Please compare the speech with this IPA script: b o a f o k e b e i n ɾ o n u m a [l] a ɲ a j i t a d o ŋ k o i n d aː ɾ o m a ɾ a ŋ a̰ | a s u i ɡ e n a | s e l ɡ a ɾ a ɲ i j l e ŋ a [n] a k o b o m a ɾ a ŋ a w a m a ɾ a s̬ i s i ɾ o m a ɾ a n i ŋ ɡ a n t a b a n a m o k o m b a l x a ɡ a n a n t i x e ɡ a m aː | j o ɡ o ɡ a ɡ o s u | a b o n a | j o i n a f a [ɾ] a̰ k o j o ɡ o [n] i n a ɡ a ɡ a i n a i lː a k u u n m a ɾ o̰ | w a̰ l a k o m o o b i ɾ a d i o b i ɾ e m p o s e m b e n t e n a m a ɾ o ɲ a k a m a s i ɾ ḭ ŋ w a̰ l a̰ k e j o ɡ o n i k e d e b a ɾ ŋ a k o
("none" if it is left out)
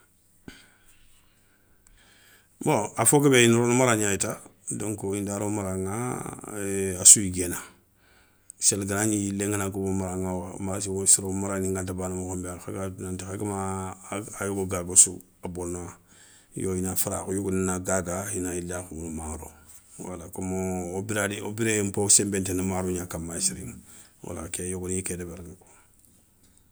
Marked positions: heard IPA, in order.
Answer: ɾ, n, ɾ, n

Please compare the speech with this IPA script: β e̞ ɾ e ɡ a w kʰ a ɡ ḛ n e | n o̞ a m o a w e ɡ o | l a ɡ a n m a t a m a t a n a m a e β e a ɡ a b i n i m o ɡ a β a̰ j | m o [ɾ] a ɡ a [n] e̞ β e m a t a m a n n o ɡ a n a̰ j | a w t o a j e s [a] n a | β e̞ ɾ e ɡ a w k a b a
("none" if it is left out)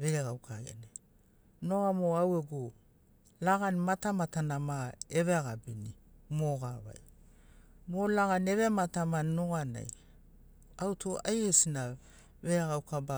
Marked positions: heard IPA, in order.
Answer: l, n, i

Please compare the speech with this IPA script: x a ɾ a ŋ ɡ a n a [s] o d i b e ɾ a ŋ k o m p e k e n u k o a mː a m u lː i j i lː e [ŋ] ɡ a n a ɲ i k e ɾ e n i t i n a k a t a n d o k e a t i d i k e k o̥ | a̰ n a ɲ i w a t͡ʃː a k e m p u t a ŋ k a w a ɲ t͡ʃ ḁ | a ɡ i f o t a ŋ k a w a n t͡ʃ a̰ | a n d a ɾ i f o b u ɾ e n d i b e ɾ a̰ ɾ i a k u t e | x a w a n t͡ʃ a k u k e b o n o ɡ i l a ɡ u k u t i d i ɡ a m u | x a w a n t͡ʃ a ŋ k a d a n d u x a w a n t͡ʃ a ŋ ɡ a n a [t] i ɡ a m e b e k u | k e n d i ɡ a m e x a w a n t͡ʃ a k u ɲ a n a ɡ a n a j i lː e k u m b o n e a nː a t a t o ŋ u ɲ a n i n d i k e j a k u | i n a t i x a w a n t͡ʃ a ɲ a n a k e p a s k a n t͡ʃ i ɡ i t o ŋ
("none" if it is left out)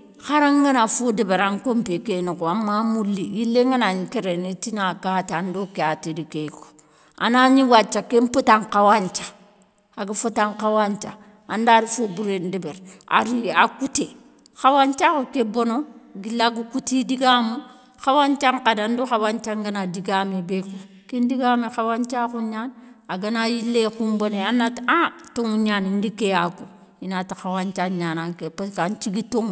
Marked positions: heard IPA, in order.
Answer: f, ŋ, d

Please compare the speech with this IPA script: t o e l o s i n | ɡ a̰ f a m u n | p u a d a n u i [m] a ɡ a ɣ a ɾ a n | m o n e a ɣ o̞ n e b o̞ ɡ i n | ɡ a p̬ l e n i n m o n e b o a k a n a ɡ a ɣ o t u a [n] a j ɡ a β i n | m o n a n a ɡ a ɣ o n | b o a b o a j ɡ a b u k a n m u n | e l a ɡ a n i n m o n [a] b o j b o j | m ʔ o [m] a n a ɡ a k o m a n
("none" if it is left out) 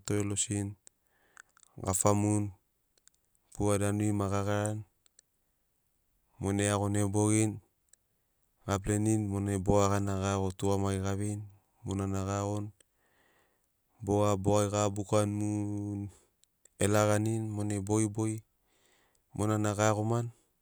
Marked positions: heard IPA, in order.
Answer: m, m, e, n

